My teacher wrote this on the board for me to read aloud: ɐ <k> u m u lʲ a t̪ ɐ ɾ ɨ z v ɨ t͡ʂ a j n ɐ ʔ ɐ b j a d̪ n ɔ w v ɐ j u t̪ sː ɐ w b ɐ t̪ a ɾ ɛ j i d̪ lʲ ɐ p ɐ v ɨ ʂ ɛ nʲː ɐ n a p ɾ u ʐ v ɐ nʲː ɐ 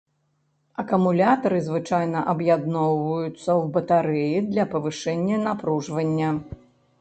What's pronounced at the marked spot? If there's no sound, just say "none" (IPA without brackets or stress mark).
k